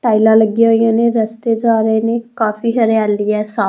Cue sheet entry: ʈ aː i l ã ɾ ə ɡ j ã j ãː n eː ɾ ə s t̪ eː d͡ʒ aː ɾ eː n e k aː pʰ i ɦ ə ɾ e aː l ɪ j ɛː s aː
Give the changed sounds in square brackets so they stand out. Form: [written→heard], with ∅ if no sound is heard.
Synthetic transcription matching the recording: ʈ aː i l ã [ɾ→l] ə ɡ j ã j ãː n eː ɾ ə s t̪ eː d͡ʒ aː ɾ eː n e k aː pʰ i ɦ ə ɾ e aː l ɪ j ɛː s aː

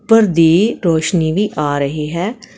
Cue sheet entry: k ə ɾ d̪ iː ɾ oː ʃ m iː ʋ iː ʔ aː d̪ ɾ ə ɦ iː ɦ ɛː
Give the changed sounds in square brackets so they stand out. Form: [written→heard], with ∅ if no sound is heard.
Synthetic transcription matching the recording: [k→p] ə ɾ d̪ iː ɾ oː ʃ [m→n] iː ʋ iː ʔ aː [d̪→∅] ɾ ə ɦ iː ɦ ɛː

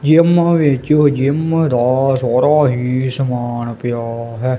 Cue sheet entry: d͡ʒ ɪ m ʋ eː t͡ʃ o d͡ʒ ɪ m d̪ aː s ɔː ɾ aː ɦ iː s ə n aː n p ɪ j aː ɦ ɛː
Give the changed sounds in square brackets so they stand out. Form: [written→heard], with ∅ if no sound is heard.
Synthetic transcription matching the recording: d͡ʒ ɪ m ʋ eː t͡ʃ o d͡ʒ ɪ m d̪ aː s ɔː ɾ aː ɦ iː s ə [n→m] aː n p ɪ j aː ɦ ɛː

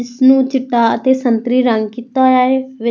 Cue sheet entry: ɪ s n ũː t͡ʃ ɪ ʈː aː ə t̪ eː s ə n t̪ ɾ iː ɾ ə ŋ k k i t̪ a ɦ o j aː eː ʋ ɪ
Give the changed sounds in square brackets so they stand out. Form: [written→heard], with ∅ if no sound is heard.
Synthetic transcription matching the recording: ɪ s n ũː t͡ʃ ɪ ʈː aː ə t̪ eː s ə n t̪ ɾ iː ɾ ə ŋ [k→ɡ] k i t̪ a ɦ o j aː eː ʋ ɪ

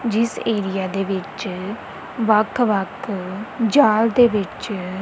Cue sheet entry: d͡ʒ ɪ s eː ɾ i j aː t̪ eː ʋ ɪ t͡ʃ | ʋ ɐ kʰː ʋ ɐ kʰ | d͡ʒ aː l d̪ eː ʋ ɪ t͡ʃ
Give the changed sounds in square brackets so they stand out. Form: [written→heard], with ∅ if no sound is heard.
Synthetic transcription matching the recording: d͡ʒ ɪ s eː ɾ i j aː [t̪→d̪] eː ʋ ɪ t͡ʃ | ʋ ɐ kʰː ʋ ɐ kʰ | d͡ʒ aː l d̪ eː ʋ ɪ t͡ʃ

